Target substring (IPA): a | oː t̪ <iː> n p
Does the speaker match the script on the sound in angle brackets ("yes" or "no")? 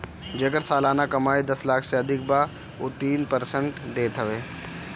yes